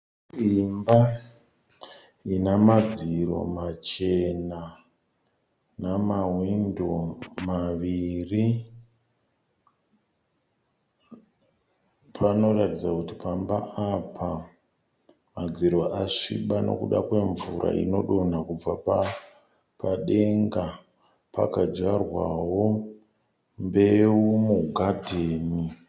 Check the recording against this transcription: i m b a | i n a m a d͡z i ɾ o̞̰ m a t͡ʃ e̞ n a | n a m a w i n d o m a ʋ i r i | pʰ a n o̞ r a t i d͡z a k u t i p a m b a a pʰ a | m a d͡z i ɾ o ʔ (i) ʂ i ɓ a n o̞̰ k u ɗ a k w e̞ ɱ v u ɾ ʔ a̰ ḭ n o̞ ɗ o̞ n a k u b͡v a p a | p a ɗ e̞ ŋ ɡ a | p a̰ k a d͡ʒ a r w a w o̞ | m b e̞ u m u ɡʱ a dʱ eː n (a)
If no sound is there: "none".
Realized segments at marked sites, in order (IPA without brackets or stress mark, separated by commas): a, i